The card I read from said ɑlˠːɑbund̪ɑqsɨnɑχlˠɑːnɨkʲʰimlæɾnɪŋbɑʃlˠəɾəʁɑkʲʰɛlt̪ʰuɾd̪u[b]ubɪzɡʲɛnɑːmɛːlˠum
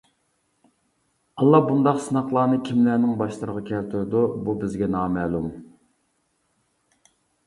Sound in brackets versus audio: correct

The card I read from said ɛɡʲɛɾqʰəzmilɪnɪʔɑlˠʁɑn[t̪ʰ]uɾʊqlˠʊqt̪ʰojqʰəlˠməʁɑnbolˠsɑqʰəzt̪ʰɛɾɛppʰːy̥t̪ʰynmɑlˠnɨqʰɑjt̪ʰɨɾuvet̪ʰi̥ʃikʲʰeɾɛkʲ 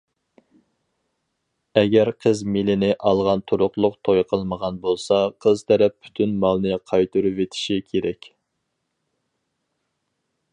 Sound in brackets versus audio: correct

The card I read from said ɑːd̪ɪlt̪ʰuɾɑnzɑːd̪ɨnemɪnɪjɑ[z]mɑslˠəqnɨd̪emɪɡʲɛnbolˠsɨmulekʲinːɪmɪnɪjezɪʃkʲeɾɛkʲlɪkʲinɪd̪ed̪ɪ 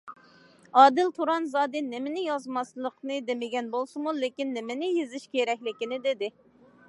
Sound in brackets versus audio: correct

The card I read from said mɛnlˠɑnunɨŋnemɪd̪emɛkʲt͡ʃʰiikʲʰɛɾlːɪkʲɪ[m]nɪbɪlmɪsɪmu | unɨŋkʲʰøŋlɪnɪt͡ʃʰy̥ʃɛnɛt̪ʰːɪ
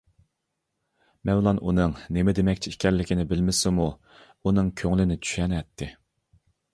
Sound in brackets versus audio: incorrect: none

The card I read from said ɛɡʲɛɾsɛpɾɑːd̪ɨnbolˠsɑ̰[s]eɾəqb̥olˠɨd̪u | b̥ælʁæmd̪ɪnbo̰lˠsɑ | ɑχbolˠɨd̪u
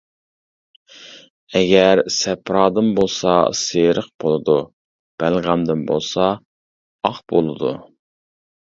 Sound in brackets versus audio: correct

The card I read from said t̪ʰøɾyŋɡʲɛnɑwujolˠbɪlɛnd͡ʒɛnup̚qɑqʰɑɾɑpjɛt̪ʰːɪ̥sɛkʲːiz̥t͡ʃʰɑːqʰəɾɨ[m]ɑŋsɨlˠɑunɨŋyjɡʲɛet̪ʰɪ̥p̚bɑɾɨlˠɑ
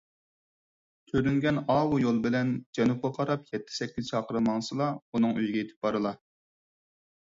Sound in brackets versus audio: correct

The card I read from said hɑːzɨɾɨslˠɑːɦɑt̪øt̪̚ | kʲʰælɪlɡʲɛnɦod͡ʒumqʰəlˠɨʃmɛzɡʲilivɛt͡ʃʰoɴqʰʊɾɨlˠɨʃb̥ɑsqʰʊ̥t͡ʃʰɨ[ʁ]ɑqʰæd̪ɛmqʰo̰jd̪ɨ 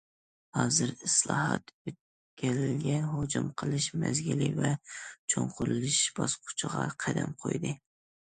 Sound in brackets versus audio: correct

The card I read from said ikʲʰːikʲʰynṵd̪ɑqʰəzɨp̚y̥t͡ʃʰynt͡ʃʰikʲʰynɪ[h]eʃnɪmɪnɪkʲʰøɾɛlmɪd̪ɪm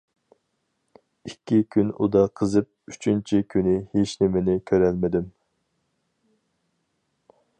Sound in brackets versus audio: correct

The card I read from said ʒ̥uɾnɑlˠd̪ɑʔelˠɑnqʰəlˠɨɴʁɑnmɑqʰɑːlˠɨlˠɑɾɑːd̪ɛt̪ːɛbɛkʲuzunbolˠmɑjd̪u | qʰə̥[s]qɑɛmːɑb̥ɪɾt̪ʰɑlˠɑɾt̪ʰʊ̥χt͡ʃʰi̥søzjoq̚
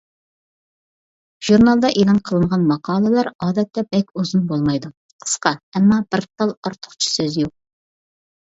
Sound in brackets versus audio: correct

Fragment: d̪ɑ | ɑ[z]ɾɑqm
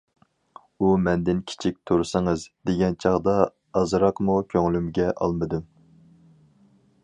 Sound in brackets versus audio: correct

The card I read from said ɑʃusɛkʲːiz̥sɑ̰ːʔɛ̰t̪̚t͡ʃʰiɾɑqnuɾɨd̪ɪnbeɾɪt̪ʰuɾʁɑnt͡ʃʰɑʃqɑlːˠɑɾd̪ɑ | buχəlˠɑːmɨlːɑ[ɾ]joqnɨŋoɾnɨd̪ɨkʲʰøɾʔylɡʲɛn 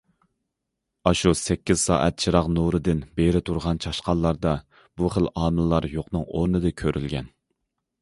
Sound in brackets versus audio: correct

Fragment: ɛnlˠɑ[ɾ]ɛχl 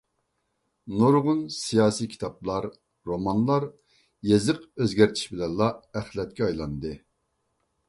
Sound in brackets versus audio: incorrect: none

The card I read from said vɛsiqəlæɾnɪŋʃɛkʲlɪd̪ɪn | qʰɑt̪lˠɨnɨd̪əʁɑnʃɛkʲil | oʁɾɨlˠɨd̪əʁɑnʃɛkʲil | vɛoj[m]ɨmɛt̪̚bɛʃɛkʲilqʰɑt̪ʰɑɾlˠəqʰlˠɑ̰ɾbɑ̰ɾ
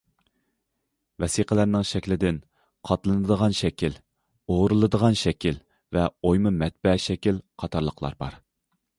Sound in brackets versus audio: correct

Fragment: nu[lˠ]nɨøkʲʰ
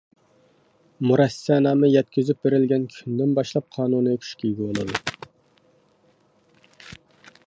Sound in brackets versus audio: incorrect: none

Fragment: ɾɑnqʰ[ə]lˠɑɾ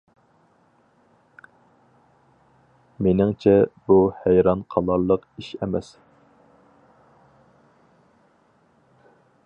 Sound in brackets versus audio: incorrect: ɑ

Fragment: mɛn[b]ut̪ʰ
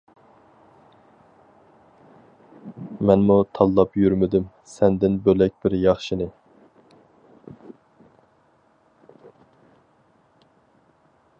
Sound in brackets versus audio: incorrect: m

